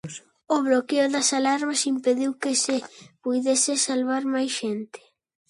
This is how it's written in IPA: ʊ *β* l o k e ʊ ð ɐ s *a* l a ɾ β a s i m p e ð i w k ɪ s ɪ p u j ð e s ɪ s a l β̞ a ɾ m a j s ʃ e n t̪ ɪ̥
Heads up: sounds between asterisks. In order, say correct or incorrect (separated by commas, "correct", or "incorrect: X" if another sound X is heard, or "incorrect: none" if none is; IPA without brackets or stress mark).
correct, correct